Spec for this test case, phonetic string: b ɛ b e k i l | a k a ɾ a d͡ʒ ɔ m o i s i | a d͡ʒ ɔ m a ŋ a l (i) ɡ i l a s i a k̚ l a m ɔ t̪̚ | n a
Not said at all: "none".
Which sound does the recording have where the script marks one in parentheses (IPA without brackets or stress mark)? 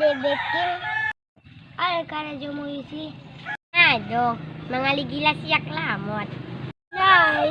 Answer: i